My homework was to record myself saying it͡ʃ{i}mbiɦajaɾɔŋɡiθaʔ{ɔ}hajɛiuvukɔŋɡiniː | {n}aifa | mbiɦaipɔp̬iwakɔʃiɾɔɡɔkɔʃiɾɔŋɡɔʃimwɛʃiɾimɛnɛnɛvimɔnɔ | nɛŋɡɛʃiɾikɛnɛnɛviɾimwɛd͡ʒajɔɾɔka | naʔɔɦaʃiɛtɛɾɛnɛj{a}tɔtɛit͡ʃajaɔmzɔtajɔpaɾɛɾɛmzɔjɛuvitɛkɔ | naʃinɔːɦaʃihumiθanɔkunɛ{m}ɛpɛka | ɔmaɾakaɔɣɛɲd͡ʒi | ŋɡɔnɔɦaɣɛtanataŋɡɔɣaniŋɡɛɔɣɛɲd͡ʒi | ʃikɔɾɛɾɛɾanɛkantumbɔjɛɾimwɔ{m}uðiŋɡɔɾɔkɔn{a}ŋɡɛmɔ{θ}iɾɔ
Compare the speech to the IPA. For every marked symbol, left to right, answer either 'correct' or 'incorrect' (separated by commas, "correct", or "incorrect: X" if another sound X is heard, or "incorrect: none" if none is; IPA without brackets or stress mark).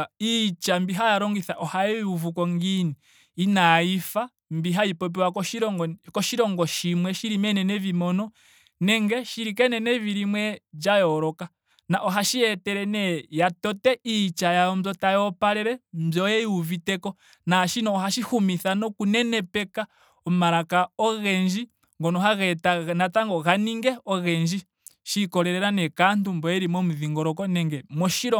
incorrect: a, correct, correct, correct, incorrect: n, correct, incorrect: ɛ, incorrect: ʃ